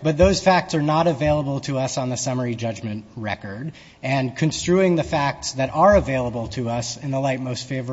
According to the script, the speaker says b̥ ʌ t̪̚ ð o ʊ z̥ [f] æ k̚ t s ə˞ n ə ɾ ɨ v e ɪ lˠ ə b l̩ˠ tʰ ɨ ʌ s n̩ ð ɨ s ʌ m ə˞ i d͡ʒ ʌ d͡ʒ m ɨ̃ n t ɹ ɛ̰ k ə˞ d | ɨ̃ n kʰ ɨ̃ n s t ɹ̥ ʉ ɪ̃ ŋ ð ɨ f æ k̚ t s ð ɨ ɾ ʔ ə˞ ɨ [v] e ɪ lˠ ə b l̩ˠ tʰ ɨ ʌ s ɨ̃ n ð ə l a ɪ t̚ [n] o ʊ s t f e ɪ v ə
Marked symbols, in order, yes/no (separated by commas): yes, yes, no